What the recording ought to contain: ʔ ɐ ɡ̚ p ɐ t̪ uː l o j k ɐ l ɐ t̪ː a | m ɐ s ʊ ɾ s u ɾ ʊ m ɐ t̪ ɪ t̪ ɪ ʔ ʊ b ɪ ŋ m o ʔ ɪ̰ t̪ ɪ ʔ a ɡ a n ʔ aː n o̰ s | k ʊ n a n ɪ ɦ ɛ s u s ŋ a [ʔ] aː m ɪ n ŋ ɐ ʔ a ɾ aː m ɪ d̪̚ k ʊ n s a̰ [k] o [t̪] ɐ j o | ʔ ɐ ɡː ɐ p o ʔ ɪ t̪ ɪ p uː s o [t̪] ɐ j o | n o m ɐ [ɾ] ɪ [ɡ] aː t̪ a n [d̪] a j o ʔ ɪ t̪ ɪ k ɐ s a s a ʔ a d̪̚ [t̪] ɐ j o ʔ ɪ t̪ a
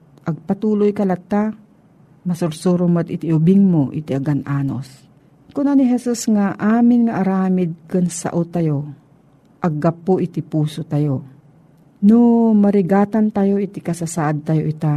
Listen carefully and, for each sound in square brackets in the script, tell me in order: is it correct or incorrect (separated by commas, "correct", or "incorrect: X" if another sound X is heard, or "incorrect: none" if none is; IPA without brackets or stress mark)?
correct, incorrect: ʔ, correct, correct, correct, correct, incorrect: t̪, correct